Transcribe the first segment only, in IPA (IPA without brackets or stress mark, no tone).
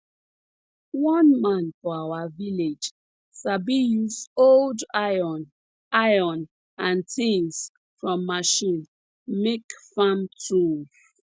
w